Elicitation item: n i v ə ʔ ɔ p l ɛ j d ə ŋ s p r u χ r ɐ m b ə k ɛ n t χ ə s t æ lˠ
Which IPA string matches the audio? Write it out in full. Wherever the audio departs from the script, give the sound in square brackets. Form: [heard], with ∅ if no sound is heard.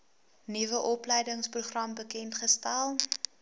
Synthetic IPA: n i v ə ʔ ɔ p l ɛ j d ə ŋ s p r u χ r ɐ m b ə k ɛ n t χ ə s t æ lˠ